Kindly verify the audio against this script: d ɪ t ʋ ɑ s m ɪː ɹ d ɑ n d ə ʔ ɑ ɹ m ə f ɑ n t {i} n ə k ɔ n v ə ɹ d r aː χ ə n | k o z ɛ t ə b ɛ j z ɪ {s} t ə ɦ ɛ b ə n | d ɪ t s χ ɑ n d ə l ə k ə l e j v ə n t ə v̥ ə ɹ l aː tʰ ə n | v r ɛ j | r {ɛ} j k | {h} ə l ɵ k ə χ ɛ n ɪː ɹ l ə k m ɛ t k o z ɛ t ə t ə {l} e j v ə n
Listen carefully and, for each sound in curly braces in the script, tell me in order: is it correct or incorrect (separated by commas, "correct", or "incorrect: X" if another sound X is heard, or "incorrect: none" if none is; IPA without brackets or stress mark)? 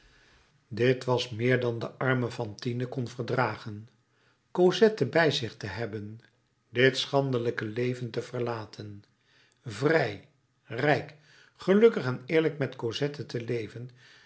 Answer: correct, incorrect: χ, correct, incorrect: χ, correct